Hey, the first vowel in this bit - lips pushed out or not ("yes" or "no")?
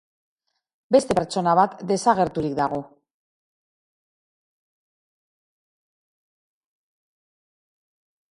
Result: no